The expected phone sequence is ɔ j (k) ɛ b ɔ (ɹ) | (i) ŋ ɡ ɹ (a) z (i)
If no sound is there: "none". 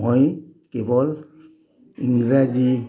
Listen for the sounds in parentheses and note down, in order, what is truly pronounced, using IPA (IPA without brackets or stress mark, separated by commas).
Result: k, l, i, a, i